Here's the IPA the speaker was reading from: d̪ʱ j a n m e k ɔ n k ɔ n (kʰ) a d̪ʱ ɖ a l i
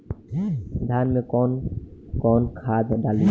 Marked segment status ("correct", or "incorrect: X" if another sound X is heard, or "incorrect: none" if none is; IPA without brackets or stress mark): correct